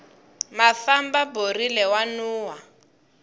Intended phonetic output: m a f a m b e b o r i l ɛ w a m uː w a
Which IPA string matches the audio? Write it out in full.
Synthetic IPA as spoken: m a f a m b a b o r i l ɛ w a n uː w a

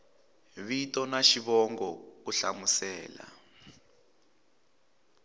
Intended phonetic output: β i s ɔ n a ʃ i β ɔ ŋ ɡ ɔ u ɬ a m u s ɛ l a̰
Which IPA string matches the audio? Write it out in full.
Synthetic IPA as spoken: β i t ɔ n a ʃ i β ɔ ŋ ɡ ɔ u ɬ a m u s ɛː l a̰

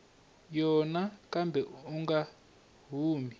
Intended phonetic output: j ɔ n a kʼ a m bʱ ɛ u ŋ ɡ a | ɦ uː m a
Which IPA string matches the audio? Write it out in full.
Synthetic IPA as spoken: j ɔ n a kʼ a m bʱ ɛ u ŋ ɡ a | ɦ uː m i

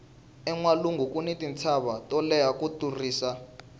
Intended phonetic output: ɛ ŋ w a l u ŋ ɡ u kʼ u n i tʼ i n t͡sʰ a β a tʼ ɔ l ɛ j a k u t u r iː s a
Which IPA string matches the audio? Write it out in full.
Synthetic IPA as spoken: ɛ ŋ w a l u ŋ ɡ u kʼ u n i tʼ i n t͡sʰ a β a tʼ ɔ l ɛ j a k u t u r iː s a

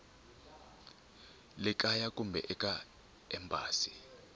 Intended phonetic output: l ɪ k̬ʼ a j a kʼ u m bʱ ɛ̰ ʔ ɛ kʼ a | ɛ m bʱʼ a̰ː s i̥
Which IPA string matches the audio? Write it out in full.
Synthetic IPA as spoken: l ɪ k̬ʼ a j a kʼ u m bʱ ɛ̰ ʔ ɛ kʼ a | ɛ m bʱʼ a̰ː s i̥

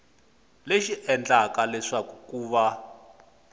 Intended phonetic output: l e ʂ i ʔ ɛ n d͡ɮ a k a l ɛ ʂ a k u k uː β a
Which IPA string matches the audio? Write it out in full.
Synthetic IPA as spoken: l e ʃ i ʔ ɛ n d͡ɮ a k a l ɛ ʂ a k u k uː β a

